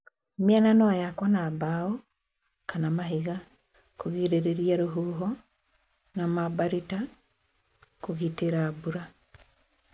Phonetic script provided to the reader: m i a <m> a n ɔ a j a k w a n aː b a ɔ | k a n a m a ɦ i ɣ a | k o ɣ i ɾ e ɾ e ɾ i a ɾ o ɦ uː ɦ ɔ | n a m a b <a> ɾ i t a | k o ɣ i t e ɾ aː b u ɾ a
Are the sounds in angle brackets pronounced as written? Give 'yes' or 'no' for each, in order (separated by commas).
no, yes